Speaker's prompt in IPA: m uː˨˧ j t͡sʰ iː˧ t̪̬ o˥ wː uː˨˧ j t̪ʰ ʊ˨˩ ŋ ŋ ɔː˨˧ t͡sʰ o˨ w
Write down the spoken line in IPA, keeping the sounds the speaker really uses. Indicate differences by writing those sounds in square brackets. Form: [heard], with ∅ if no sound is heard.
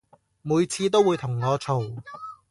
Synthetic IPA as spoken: m uː˨˧ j t͡sʰ iː˧ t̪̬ o˥ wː uː˨˧ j t̪ʰ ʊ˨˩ ŋ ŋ ɔː˨˧ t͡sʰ o˨ w